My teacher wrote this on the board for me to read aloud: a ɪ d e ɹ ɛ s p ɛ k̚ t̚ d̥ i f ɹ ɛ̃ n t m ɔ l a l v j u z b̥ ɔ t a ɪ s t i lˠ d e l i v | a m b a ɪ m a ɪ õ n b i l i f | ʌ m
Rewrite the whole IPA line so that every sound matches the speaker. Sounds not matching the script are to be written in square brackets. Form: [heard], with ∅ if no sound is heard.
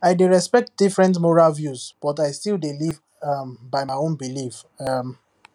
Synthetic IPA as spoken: a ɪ d e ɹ ɛ s p ɛ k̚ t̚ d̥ i f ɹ ɛ̃ n t m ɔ [ɹ] a l v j u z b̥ ɔ t a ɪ s t i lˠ d e l i v | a m b a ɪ m a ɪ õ n b i l i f | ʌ m